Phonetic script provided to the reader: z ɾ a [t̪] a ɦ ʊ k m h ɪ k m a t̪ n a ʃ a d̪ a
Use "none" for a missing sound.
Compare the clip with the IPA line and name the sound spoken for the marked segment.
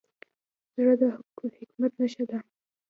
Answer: d̪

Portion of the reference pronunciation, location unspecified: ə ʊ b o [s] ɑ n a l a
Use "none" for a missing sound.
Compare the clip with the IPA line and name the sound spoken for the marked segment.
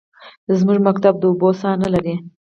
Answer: s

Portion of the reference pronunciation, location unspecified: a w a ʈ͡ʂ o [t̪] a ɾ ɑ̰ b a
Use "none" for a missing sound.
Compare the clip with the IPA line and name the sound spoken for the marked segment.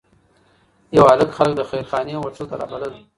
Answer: t̪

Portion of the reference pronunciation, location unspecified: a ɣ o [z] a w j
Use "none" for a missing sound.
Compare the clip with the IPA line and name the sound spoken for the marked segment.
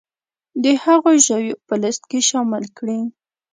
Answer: ʒ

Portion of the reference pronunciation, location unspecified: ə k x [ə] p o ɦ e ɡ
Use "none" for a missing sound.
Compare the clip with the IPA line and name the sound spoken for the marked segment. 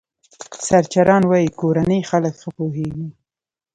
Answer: ə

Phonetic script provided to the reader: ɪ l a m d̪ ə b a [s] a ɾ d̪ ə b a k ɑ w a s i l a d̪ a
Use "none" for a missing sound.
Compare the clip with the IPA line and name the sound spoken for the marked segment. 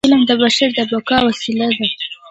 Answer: ʃ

